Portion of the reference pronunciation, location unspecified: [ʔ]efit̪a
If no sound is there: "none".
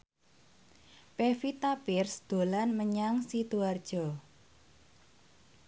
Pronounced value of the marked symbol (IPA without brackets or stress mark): p